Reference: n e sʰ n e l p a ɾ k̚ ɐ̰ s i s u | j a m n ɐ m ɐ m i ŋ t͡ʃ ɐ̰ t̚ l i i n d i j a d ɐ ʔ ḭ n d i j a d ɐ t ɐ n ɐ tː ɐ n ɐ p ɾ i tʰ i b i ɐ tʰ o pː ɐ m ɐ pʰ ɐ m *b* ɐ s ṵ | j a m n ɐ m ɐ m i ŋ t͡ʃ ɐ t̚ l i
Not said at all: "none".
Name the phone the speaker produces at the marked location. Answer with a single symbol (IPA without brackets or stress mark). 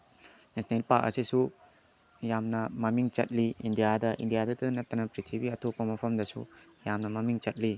d